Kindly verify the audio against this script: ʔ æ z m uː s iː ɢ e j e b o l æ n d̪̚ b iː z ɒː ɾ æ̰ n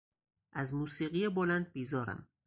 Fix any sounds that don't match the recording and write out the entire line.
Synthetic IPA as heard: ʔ æ z m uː s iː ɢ i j e b o l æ n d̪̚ b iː z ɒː ɾ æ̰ m